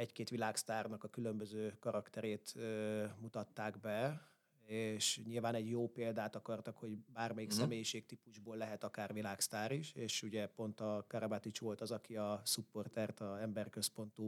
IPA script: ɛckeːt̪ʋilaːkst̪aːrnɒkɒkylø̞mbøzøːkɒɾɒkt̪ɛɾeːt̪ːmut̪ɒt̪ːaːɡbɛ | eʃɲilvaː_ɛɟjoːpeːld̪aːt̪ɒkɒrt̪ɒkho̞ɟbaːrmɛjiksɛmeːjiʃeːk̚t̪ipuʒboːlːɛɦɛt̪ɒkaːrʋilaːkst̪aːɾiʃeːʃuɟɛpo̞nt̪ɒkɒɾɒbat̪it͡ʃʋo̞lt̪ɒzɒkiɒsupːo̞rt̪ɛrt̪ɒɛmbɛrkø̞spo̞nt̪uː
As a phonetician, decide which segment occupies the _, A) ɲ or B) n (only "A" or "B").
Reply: B